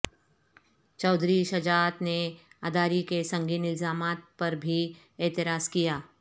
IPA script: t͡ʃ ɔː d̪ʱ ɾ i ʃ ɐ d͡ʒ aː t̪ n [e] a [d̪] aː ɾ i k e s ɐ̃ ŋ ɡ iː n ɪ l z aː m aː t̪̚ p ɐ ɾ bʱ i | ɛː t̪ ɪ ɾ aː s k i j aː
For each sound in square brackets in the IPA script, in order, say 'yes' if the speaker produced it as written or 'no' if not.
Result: yes, yes

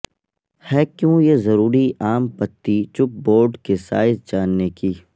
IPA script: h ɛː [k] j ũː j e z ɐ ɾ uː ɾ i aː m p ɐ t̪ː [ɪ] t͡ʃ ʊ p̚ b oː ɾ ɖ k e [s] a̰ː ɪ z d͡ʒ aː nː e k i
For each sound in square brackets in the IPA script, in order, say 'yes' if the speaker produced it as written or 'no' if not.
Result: yes, no, yes

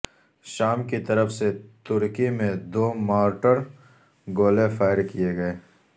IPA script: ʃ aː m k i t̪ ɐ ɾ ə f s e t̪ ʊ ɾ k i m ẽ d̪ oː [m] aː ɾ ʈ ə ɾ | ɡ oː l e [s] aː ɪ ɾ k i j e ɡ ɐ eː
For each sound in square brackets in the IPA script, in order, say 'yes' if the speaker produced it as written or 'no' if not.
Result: yes, no

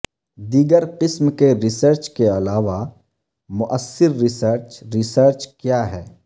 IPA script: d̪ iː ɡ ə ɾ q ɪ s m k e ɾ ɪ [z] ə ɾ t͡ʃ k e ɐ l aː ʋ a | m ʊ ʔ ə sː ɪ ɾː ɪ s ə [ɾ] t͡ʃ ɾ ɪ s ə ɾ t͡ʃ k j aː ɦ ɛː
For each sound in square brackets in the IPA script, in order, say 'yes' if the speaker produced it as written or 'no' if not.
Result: no, yes

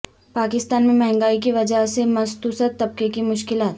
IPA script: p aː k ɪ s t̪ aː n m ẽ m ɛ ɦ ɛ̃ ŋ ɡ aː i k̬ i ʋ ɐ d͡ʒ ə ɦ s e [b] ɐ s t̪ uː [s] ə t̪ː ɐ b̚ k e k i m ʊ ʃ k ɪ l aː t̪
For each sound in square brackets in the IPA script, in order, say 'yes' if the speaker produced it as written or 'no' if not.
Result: no, yes

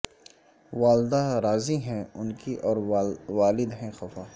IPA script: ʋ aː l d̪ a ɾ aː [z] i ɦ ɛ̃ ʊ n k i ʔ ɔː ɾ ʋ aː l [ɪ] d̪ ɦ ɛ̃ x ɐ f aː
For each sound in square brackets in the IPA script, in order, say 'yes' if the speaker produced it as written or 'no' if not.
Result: yes, yes

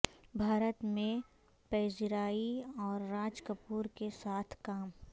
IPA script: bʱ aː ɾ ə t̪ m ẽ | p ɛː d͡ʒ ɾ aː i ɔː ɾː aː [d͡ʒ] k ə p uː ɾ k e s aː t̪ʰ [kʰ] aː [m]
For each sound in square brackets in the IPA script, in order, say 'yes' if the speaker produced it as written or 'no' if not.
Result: yes, no, yes

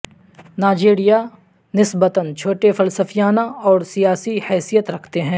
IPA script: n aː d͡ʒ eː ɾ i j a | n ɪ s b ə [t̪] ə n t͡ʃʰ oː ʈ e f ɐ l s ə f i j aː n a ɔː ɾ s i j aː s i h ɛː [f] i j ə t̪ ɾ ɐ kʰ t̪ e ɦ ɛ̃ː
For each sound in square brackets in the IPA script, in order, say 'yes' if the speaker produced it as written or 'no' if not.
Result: yes, no

